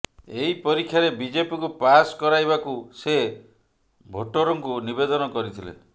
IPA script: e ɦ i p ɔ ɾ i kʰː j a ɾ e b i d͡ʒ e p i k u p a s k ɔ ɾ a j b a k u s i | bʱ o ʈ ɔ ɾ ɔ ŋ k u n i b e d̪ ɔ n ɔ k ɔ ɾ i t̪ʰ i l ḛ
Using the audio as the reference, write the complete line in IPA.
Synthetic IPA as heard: e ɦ i p ɔ ɾ i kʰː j a ɾ e b i d͡ʒ e p i k u p a s k ɔ ɾ a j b a k u s e | bʱ o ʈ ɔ ɾ ɔ ŋ k u n i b e d̪ ɔ n ɔ k ɔ ɾ i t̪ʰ i l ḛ